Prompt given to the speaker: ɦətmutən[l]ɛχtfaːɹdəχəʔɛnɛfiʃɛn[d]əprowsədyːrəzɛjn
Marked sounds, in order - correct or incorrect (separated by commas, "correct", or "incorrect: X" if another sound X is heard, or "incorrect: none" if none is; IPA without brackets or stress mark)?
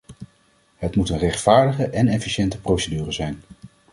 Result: incorrect: r, incorrect: t